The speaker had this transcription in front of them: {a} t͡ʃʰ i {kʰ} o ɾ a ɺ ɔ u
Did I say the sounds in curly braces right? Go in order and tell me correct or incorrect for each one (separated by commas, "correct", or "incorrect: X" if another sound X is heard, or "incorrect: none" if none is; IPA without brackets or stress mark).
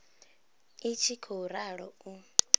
incorrect: i, correct